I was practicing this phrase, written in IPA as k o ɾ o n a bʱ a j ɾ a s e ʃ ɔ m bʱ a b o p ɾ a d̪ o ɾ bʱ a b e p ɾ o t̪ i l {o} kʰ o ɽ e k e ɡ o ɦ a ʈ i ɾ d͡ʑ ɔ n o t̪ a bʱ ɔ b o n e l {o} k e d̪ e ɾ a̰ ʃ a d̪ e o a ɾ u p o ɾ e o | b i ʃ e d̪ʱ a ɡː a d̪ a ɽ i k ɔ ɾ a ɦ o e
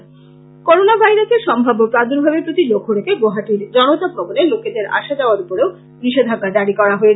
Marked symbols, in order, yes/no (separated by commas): yes, yes